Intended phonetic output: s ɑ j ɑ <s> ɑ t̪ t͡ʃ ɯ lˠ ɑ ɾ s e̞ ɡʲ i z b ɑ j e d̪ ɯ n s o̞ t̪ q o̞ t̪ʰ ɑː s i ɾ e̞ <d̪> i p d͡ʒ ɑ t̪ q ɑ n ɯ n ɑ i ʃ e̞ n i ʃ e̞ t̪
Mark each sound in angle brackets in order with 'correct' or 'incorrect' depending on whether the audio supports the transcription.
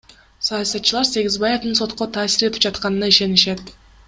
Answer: correct, incorrect: t̪

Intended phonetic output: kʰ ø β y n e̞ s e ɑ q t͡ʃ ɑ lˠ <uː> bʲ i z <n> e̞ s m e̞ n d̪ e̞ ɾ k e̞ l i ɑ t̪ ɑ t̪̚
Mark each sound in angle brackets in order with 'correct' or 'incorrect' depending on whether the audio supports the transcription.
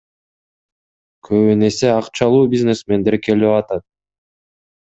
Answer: correct, correct

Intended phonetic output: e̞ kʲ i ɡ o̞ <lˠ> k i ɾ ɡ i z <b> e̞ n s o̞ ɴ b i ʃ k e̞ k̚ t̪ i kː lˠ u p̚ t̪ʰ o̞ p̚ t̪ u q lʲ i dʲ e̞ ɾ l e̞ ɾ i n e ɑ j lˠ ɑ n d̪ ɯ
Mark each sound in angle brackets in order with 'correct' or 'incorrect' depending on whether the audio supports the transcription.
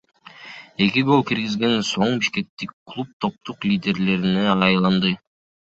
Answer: correct, incorrect: ɡ

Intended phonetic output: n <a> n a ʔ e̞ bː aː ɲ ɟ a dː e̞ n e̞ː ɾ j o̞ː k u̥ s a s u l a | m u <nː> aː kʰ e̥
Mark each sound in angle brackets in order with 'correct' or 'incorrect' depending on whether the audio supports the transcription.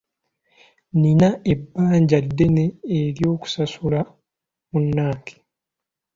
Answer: incorrect: i, correct

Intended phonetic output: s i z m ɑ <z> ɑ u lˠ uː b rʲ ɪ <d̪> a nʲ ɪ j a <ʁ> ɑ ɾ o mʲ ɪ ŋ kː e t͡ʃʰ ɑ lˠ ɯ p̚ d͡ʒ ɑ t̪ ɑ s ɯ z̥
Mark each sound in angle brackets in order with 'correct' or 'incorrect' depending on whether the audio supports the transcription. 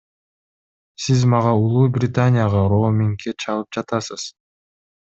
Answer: incorrect: ʁ, incorrect: t̪, correct

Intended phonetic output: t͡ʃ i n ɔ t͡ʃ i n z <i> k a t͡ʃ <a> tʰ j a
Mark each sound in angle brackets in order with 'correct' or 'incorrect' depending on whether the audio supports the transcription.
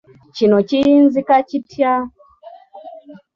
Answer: correct, incorrect: i

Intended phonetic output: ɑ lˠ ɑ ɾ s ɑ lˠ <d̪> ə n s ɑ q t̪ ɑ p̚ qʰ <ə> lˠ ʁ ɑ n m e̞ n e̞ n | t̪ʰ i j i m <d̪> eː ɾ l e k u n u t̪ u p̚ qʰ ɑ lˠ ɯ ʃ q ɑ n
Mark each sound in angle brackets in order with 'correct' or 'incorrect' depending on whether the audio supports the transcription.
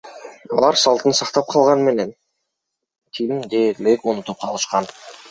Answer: incorrect: t̪, incorrect: ɑ, correct

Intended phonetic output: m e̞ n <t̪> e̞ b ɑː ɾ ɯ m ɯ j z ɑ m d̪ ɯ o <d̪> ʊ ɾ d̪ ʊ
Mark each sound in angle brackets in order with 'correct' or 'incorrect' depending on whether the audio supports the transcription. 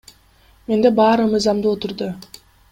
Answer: incorrect: d̪, incorrect: t̪

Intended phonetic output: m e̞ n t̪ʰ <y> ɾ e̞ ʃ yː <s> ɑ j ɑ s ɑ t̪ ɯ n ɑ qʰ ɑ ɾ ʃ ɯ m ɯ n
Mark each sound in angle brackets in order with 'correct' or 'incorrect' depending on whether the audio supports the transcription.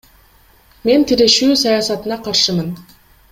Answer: incorrect: i, correct

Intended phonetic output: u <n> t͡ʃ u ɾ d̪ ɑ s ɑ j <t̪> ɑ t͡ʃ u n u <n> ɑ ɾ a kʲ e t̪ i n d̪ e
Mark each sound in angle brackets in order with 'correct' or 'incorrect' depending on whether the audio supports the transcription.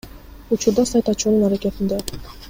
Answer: incorrect: none, correct, correct

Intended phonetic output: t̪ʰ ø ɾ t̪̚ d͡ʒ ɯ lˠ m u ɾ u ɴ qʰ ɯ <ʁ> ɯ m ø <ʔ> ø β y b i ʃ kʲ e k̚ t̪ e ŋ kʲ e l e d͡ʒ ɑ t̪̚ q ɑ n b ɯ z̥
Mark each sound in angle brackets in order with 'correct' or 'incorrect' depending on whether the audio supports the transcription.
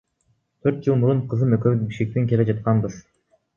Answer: incorrect: z, incorrect: k

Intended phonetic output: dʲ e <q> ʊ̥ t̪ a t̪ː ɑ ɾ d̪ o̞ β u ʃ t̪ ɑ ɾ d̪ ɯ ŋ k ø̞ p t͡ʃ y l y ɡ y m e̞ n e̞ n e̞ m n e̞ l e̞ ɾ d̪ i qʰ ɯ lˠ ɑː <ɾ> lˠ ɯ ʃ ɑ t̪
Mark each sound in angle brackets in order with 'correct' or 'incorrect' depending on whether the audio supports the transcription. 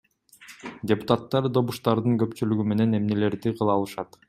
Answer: incorrect: p, incorrect: none

